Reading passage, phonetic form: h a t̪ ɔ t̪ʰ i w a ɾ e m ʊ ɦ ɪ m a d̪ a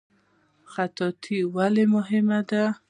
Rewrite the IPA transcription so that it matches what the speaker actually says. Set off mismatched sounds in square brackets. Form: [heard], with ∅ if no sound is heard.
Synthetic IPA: [x] a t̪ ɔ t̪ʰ i w a [l] e m ʊ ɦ ɪ m a d̪ a